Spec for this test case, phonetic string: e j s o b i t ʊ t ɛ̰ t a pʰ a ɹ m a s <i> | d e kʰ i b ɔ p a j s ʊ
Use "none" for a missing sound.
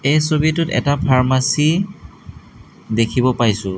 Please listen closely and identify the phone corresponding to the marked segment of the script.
i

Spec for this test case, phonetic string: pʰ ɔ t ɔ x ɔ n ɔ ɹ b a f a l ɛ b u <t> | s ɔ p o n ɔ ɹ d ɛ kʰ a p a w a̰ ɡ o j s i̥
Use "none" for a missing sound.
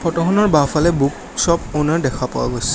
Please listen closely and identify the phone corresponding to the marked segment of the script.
k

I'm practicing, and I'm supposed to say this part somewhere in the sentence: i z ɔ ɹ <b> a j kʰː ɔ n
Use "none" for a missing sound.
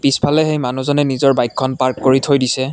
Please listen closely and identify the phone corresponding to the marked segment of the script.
b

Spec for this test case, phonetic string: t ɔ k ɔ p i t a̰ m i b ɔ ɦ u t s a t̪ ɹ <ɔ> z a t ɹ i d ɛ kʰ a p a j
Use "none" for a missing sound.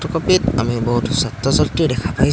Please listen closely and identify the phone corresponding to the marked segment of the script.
ɔ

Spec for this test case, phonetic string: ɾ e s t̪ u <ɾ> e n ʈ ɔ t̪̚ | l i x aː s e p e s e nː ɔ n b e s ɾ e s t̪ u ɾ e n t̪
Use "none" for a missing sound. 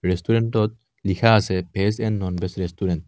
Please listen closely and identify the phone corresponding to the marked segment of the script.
ɾ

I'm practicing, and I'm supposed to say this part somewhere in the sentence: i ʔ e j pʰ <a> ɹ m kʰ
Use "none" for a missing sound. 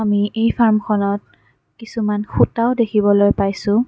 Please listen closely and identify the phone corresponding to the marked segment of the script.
a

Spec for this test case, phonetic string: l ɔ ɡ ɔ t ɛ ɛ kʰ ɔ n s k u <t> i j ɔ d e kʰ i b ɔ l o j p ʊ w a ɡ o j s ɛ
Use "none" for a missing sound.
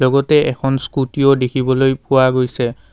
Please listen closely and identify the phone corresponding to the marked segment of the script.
t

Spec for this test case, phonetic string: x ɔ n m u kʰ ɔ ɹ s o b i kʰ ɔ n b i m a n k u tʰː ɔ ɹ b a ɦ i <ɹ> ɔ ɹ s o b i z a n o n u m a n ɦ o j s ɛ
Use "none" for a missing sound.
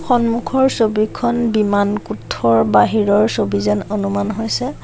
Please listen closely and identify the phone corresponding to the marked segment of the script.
ɹ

